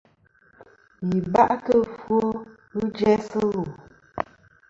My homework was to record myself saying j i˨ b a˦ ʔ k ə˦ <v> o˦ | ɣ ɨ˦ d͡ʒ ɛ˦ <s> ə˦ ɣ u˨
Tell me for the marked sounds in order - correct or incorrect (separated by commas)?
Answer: incorrect, correct